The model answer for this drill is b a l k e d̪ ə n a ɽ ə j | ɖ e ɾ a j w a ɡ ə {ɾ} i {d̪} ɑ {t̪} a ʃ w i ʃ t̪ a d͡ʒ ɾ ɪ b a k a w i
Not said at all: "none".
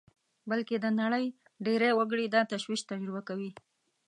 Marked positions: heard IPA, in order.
ɽ, d̪, t̪

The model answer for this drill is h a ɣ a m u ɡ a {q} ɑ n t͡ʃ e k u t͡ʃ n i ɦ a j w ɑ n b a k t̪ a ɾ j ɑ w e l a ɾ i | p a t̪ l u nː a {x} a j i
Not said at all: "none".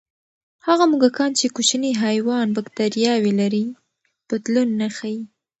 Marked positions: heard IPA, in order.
k, x

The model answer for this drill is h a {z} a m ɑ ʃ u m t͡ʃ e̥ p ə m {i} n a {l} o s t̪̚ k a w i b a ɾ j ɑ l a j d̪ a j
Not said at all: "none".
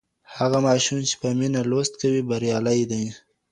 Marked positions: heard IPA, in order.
ɣ, i, l

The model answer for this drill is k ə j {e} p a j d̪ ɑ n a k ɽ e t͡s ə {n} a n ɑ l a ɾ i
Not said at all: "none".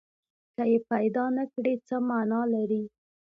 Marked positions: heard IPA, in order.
e, m

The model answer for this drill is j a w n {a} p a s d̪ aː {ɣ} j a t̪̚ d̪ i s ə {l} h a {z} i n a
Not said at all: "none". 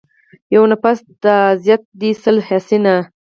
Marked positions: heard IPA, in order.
a, z, l, s

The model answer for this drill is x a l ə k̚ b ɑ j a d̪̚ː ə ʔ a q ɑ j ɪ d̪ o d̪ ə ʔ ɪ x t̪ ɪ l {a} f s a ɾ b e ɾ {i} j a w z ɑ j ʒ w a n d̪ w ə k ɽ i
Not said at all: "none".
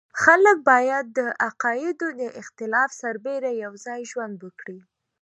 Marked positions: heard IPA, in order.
ɑ, a

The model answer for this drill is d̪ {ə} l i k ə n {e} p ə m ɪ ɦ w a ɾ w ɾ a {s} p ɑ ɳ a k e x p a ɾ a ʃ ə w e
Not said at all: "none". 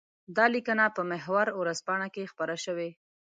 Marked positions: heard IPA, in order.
ɑ, a, z

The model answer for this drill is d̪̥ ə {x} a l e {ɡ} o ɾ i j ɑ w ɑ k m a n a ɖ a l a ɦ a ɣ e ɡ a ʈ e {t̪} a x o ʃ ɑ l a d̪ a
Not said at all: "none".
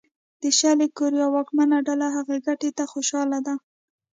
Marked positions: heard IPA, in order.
ʃ, k, t̪

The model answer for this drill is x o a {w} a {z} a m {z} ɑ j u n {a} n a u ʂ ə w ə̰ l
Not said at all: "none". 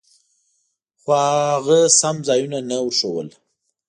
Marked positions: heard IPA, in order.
ɣ, s, z, a

